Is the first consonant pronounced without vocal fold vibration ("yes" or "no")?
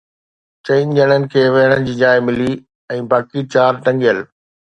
yes